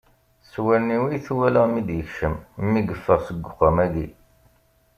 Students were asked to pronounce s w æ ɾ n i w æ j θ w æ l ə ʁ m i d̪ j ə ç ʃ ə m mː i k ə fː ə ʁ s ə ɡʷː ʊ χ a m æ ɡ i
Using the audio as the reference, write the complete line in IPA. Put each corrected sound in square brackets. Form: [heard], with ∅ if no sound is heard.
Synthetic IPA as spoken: s w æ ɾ n i w [i] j θ w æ l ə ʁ m i d̪ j ə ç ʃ ə m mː i [ɡ] ə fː ə ʁ s ə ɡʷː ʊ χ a m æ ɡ i